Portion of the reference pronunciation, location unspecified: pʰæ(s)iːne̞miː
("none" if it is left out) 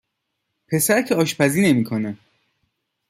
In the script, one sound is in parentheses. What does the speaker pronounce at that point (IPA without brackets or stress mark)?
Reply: z